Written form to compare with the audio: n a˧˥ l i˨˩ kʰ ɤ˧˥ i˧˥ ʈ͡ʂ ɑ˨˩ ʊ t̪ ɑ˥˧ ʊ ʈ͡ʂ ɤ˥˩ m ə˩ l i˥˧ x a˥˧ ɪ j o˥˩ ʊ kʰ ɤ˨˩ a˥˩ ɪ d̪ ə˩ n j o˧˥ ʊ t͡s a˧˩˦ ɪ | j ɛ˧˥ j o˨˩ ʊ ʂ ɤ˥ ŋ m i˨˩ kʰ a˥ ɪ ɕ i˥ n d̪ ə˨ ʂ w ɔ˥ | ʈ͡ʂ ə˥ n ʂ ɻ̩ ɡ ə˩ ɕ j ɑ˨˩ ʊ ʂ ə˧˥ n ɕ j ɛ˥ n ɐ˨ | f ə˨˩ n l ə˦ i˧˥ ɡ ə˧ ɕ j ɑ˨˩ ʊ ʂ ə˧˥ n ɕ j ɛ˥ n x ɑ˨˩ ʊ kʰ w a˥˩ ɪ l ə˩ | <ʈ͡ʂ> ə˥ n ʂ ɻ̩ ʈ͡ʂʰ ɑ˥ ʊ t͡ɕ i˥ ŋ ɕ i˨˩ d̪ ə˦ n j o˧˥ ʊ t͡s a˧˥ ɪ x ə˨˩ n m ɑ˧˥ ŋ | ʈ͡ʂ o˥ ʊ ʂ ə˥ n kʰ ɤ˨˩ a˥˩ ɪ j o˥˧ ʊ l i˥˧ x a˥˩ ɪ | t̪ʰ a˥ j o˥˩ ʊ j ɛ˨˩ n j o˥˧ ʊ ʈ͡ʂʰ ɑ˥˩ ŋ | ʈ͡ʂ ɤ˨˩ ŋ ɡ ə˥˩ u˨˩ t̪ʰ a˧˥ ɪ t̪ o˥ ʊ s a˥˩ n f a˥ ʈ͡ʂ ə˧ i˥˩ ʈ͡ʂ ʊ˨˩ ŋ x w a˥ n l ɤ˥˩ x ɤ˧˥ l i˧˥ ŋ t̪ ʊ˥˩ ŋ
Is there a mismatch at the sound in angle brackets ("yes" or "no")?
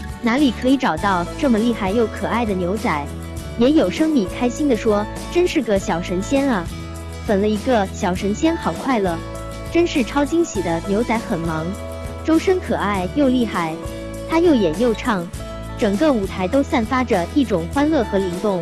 no